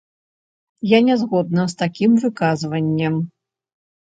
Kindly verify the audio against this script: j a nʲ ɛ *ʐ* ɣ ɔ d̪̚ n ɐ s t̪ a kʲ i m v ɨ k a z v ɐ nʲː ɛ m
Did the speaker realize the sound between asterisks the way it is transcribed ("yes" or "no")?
no